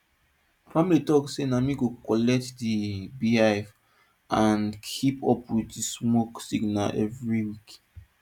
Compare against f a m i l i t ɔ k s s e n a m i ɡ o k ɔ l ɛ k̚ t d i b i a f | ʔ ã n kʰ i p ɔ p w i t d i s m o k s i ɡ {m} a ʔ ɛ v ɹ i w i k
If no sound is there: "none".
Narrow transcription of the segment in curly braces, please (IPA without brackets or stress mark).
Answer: n